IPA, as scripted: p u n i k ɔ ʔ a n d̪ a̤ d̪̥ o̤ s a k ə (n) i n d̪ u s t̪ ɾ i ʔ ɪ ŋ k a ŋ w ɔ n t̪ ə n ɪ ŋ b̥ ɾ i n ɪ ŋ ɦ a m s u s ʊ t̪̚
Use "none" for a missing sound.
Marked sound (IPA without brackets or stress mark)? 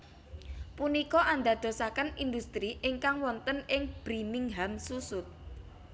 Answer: n